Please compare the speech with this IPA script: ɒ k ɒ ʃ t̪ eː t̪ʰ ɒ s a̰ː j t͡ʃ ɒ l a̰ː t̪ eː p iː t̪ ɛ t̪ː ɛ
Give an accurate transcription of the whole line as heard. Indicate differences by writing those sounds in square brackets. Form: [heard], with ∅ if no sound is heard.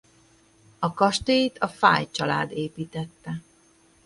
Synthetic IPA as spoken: ɒ k ɒ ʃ t̪ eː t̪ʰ ɒ [f] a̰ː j t͡ʃ ɒ l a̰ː [d̪] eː p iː t̪ ɛ t̪ː ɛ